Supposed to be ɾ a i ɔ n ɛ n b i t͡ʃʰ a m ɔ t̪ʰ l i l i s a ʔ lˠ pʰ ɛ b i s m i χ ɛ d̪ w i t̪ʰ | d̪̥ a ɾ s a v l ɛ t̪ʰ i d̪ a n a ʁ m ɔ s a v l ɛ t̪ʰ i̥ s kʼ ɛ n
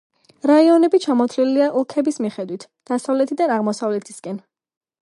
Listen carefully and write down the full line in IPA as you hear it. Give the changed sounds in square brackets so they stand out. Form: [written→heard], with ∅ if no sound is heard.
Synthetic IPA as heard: ɾ a i ɔ n ɛ [n→∅] b i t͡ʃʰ a m ɔ t̪ʰ l i l i [s→∅] a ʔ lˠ [pʰ→kʰ] ɛ b i s m i χ ɛ d̪ w i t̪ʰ | d̪̥ a [ɾ→∅] s a v l ɛ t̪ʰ i d̪ a n a ʁ m ɔ s a v l ɛ t̪ʰ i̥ s kʼ ɛ n